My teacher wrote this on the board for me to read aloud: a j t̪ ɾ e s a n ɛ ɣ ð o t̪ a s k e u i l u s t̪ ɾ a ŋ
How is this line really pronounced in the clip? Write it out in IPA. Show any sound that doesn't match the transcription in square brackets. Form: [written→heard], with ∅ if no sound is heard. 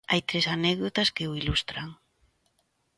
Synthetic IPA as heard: a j t̪ ɾ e s a n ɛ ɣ ð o t̪ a s k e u i l u s t̪ ɾ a ŋ